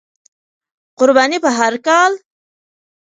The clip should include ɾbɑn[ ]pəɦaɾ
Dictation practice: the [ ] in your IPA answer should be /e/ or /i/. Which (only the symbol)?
i